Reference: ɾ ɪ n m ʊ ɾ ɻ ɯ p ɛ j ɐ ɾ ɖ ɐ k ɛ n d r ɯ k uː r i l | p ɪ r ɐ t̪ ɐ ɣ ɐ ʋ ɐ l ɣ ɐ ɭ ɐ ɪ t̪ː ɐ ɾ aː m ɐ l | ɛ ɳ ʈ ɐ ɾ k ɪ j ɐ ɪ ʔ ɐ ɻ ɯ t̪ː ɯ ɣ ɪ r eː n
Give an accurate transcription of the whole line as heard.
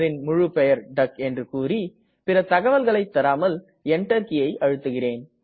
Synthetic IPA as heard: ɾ ɪ n m ʊ ɻ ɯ p ɛ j ɐ ɾ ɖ ɐ k ɛ n d r ɯ k uː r i | p ɪ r ɐ t̪ ɐ ɣ ɐ ʋ ɐ l ɣ ɐ ɭ ɐ ɪ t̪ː ɐ ɾ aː m ɐ l | ɛ ɳ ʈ ɐ ɾ k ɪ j ɐ ɪ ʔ ɐ ɻ ɯ t̪ː ɯ ɣ ɪ r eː n